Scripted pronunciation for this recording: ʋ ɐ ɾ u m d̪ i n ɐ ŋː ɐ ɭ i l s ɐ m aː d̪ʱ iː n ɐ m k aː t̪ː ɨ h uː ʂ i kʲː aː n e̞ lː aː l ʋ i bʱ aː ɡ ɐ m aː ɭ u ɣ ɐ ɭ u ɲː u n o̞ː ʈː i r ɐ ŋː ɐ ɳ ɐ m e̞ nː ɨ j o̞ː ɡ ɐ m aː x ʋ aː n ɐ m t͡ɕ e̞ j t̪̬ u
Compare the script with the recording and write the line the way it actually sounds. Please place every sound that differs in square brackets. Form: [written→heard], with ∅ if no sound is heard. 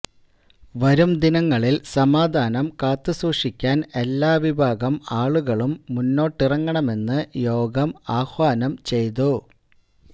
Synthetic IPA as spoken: ʋ ɐ ɾ u m d̪ i n ɐ ŋː ɐ ɭ i l s ɐ m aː d̪ʱ [iː→aː] n ɐ m k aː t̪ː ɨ [h→s] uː ʂ i kʲː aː n e̞ lː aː [l→∅] ʋ i bʱ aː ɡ ɐ m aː ɭ u ɣ ɐ ɭ u [ɲː→mː] u [n→nː] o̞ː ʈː i r ɐ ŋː ɐ ɳ ɐ m e̞ nː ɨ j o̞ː ɡ ɐ m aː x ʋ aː n ɐ m t͡ɕ e̞ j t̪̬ u